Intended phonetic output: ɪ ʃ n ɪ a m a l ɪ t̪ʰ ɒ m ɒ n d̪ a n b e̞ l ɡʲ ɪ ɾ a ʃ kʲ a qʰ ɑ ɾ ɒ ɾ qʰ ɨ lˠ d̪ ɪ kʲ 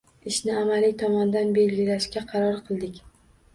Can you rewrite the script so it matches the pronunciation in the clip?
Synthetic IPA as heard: ɪ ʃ n ɪ a m a l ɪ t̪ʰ ɒ m ɒ n d̪ a n b e̞ l ɡʲ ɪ l a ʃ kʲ a qʰ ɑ ɾ ɒ ɾ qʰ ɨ lˠ d̪ ɪ kʲ